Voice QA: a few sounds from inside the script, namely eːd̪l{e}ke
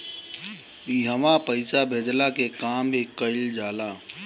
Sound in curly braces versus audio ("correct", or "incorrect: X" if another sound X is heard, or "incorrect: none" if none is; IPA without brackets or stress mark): incorrect: a